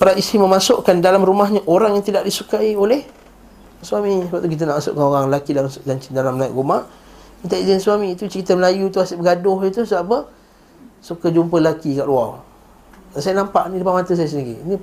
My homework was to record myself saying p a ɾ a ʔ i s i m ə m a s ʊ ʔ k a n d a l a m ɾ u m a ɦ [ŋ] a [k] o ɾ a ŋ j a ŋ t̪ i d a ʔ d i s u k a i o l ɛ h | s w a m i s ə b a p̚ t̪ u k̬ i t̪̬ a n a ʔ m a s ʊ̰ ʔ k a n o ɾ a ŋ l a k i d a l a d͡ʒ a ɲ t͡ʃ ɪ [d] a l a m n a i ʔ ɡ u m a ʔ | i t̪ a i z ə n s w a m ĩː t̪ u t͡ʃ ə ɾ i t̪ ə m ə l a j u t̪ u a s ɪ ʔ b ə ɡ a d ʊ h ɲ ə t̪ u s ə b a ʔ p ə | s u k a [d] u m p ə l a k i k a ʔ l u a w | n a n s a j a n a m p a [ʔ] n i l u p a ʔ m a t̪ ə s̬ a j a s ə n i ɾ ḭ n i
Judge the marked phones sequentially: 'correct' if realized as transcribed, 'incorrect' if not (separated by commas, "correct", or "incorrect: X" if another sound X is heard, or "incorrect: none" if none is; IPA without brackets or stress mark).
incorrect: ɲ, incorrect: ʔ, correct, incorrect: d͡ʒ, correct